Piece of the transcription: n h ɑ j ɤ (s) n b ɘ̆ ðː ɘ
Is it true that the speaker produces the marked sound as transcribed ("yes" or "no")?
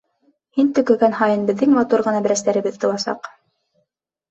no